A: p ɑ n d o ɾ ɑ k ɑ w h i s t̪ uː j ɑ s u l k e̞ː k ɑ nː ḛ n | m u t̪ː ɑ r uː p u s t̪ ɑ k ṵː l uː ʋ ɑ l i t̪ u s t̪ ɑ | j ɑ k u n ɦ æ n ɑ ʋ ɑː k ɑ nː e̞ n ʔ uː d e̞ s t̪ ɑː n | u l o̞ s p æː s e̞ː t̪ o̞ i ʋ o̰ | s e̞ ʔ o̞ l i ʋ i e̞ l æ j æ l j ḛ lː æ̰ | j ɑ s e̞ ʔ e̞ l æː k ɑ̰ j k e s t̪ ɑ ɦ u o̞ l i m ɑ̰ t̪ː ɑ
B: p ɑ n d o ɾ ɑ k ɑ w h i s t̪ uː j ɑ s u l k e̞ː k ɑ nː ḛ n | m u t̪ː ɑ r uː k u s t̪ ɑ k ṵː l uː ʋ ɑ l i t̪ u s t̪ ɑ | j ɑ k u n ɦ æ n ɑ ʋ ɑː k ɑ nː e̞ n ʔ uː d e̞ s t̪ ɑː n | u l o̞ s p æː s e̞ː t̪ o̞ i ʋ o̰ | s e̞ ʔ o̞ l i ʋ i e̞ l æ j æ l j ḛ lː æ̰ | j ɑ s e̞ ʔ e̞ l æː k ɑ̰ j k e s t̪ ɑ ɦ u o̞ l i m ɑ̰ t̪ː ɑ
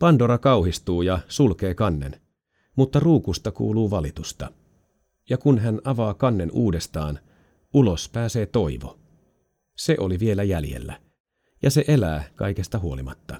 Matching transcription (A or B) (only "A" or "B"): B